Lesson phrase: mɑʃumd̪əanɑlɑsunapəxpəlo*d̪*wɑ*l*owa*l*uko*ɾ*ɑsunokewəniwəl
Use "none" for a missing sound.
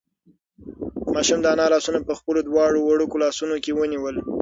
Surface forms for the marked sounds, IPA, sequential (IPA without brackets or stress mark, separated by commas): d̪, ɽ, ɽ, l